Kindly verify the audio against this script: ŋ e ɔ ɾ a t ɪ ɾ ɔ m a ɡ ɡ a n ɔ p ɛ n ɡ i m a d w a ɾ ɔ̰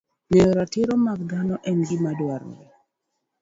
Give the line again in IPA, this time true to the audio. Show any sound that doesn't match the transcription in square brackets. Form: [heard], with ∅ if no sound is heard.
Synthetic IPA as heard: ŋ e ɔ ɾ a t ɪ ɾ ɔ m a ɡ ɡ a n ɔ [ʔ] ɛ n ɡ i m a d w a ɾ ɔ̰